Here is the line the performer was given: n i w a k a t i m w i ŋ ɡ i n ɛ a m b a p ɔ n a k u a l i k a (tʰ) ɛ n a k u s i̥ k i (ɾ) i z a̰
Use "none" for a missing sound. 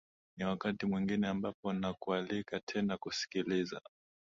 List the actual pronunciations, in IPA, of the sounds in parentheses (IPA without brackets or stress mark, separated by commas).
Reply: tʰ, l